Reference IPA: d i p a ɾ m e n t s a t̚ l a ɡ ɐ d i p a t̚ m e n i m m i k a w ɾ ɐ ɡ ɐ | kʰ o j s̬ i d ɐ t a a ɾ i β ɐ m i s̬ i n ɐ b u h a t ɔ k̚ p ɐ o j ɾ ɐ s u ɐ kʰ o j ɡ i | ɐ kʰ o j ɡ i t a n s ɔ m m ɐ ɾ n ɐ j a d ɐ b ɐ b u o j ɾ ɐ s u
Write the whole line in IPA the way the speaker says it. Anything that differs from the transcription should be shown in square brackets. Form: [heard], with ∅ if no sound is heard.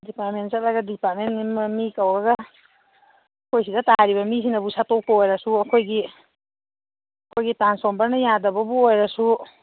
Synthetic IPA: d i p a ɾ m e n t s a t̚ l a ɡ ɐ d i p a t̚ m e n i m m i k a w ɾ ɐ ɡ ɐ | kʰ o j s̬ i d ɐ t a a ɾ i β ɐ m i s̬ i n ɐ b u [s] a t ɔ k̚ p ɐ o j ɾ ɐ s u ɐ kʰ o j ɡ i | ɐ kʰ o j ɡ i t a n s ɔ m [b] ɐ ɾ n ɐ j a d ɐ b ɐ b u o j ɾ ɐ s u